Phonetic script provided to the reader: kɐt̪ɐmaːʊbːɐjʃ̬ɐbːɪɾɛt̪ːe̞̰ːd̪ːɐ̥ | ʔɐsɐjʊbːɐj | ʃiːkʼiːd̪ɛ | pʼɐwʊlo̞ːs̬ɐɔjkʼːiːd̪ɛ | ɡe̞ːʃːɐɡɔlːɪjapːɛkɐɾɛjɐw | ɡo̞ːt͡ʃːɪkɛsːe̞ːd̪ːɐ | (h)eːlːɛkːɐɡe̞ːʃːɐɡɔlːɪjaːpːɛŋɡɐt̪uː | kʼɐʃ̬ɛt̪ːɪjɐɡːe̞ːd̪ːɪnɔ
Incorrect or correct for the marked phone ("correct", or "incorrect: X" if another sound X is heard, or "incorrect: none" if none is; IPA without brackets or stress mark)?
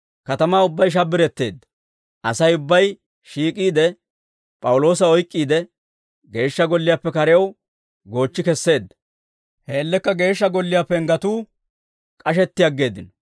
correct